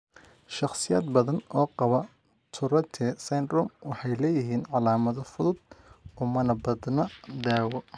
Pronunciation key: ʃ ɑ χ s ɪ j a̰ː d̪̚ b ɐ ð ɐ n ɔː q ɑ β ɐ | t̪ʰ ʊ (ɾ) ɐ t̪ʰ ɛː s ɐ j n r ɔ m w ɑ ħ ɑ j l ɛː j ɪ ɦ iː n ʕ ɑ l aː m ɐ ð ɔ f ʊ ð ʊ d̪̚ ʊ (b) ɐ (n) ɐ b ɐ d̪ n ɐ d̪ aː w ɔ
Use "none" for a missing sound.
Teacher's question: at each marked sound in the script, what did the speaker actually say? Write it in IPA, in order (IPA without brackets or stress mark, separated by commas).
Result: ɾ, m, n